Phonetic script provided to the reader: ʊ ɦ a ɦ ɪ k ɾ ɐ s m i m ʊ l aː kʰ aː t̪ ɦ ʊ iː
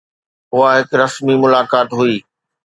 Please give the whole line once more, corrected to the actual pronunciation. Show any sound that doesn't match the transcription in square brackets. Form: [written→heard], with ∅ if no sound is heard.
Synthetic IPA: ʊ ɦ a ɦ ɪ k ɾ ɐ s m i m ʊ l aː [kʰ→k] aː t̪ ɦ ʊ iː

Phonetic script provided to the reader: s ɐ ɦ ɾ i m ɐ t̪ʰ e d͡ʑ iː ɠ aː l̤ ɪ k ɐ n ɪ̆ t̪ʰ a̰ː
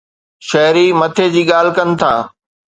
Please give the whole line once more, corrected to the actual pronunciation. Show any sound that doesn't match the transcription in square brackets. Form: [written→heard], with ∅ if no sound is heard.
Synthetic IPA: [s→ʃ] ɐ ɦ ɾ i m ɐ t̪ʰ e d͡ʑ iː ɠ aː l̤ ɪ k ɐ n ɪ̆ t̪ʰ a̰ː

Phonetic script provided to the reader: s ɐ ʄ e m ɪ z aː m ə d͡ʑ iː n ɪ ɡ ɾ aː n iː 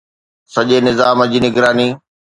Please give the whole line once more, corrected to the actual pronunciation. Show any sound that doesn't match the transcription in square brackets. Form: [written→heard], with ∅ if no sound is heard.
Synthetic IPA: s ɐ ʄ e [m→n] ɪ z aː m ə d͡ʑ iː n ɪ ɡ ɾ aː n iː

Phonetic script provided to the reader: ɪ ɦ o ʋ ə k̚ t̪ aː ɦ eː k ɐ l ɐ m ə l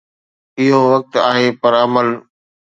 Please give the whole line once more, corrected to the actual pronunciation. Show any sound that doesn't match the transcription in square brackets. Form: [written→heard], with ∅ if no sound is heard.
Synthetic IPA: ɪ ɦ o ʋ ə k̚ t̪ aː ɦ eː [k→p] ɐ [l→ɾ] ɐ m ə l

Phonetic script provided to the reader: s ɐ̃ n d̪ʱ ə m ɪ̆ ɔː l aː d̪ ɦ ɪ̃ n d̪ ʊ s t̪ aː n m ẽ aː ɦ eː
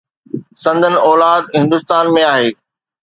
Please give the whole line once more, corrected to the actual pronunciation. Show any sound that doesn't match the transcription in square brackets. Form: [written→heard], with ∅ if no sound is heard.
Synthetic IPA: s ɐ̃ n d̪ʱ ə [m→n] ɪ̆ ɔː l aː d̪ ɦ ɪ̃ n d̪ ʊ s t̪ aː n m ẽ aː ɦ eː

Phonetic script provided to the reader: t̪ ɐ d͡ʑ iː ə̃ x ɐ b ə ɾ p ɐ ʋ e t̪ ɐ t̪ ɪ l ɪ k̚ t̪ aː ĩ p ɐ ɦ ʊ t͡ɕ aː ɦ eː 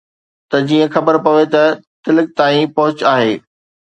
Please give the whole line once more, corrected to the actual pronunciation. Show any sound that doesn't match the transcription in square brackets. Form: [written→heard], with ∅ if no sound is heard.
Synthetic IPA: t̪ ɐ d͡ʑ iː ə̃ x ɐ b ə ɾ p ɐ ʋ e t̪ ɐ t̪ ɪ l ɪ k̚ t̪ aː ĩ p ɐ ɦ ʊ t͡ɕ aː ɦ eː

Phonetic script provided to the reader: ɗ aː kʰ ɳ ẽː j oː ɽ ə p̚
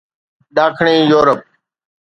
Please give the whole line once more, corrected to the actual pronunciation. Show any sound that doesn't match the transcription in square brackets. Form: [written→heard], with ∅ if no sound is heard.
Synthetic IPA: ɗ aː kʰ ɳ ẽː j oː [ɽ→ɾ] ə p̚

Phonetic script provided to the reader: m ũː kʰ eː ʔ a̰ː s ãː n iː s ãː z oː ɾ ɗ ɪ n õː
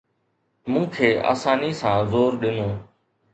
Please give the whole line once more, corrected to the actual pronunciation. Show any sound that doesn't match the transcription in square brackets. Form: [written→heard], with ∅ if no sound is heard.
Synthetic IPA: m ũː kʰ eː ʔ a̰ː s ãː n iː s ãː z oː ɾ ɗ ɪ n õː

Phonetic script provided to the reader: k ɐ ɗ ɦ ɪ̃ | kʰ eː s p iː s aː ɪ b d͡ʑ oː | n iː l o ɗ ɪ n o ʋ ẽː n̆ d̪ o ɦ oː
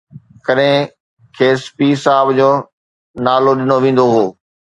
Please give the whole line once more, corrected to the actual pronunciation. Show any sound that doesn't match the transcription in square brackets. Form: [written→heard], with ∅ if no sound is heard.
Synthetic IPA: k ɐ ɗ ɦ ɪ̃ | kʰ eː s p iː s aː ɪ b d͡ʑ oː | n [iː→aː] l o ɗ ɪ n o ʋ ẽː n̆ d̪ o ɦ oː

